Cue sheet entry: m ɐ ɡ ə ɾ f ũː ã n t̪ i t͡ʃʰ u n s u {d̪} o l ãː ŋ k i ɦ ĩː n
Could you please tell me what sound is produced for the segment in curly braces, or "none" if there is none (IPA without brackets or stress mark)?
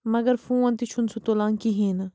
t̪